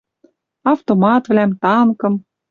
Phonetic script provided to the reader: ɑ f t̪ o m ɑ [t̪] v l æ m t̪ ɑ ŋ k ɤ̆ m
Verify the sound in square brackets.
correct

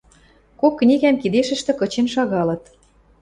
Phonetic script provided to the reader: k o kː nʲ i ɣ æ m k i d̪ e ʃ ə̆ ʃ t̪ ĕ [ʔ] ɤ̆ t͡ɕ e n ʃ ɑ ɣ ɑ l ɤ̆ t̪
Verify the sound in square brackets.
incorrect: k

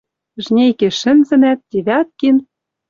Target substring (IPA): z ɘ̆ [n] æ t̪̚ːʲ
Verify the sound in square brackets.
correct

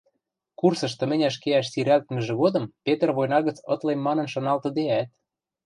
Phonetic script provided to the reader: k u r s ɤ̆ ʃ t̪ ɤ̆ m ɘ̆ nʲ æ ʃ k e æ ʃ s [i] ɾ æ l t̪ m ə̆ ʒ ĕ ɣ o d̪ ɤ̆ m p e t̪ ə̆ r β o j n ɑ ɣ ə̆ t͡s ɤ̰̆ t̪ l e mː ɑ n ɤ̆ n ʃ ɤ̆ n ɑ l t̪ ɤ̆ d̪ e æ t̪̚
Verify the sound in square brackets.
correct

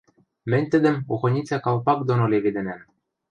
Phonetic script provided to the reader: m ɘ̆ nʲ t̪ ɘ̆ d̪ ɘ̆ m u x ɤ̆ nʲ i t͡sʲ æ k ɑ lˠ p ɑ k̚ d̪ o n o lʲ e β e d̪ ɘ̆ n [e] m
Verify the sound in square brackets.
incorrect: æ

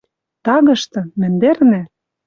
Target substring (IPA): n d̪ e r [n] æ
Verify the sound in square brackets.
correct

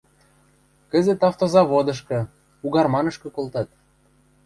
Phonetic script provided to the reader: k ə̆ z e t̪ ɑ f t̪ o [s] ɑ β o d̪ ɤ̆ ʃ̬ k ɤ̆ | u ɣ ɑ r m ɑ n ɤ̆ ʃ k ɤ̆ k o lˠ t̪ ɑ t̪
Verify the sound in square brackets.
incorrect: z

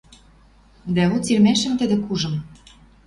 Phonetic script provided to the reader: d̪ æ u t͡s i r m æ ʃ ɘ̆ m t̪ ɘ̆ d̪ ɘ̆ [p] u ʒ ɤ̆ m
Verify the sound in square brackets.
incorrect: k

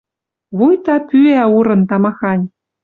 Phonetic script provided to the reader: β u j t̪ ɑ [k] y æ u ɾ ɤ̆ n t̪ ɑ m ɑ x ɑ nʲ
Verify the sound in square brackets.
incorrect: p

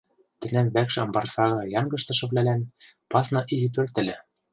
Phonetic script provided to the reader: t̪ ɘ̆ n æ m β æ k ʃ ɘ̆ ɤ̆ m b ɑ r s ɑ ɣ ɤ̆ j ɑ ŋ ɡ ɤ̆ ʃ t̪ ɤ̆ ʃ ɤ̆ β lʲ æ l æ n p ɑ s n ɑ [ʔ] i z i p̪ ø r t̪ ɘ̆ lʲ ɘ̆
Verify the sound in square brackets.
correct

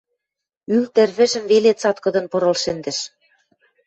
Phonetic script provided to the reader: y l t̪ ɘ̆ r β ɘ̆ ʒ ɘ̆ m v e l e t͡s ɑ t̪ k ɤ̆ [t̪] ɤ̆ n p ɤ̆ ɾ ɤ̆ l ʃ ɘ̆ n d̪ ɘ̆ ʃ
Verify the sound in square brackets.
incorrect: d̪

